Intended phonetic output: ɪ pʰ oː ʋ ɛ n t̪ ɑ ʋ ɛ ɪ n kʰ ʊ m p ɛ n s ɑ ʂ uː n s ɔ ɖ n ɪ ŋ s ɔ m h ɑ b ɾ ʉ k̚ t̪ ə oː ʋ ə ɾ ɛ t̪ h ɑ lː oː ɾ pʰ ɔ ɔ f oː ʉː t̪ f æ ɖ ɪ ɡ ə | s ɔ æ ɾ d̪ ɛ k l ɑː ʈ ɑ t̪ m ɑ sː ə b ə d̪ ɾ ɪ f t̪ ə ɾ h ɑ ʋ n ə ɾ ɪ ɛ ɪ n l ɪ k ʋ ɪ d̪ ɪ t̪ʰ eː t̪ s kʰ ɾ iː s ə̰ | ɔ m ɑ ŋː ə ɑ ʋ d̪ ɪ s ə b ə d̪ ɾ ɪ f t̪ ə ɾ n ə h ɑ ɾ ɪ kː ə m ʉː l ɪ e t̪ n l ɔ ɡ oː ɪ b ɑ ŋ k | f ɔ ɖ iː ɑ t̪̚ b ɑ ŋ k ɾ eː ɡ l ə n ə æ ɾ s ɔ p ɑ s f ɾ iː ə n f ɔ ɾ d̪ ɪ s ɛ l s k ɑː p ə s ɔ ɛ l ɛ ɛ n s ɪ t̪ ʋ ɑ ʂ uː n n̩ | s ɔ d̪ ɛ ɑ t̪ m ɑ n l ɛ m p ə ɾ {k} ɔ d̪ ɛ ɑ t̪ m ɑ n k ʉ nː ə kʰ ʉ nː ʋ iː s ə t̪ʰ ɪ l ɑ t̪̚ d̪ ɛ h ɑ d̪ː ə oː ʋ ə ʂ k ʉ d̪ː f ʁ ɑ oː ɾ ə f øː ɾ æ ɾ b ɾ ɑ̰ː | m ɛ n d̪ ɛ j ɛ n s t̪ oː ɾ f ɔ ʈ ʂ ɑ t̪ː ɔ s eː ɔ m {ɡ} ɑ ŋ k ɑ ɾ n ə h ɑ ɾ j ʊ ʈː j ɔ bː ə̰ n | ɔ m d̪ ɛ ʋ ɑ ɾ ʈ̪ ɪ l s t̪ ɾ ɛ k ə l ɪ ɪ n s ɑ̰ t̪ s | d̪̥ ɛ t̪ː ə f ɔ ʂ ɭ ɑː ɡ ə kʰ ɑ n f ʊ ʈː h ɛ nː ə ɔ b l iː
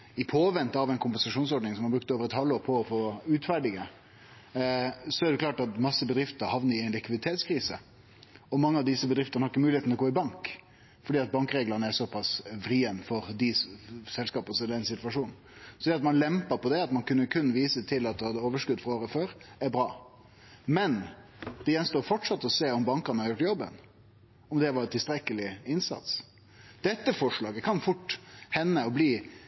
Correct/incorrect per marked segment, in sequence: incorrect: p, incorrect: b

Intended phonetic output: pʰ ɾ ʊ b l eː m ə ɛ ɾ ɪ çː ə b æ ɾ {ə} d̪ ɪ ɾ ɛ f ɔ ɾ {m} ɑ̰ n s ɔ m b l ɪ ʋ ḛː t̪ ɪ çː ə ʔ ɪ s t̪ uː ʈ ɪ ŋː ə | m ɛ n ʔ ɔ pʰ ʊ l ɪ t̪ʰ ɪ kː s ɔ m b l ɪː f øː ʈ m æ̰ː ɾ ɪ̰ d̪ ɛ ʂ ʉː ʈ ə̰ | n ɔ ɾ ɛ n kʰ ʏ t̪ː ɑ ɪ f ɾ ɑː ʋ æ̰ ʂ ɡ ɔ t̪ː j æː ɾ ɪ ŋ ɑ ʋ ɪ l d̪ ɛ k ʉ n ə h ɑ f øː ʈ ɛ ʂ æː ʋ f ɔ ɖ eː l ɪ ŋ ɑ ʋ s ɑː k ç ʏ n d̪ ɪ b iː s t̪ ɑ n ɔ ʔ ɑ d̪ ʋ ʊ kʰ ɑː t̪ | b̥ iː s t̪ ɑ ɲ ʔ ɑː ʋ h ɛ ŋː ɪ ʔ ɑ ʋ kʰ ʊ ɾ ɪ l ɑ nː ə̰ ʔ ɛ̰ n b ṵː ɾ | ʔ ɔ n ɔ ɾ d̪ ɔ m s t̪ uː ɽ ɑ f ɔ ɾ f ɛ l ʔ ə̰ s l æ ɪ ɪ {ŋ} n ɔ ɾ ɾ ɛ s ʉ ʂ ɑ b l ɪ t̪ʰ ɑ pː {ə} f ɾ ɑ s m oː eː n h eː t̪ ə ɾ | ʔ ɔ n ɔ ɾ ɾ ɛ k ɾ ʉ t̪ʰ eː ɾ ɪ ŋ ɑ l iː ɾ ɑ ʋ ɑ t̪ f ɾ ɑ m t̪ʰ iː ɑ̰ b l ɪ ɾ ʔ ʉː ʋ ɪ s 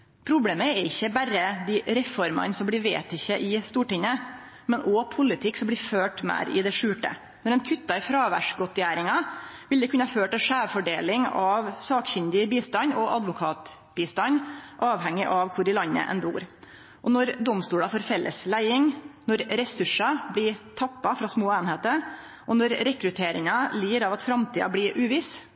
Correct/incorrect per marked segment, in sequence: correct, correct, correct, incorrect: ɑ

